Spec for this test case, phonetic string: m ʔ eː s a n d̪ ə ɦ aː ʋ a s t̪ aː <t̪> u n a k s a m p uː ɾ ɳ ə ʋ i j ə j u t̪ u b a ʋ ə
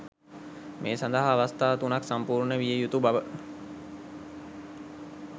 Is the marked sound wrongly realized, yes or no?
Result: no